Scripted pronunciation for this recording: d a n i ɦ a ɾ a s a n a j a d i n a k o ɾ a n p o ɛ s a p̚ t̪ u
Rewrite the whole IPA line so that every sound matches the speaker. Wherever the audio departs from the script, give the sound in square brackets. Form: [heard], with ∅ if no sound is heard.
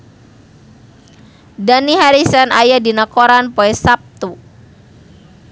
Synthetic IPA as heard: d a n i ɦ a ɾ [i] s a n a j a d i n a k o ɾ a n p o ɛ s a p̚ t̪ u